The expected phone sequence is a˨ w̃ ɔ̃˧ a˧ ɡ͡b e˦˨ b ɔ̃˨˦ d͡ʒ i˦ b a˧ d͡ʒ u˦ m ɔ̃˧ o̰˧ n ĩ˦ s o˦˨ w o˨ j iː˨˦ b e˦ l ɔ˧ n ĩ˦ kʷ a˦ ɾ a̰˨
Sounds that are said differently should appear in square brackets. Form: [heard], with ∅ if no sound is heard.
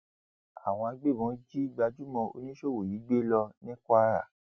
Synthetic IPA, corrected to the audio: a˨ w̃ ɔ̃˧ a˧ ɡ͡b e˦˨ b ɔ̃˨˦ d͡ʒ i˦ [ɡ͡b] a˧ d͡ʒ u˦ m ɔ̃˧ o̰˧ n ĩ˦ [ʃ] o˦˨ w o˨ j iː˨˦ [ɡ͡b] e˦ l ɔ˧ n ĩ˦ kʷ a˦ ɾ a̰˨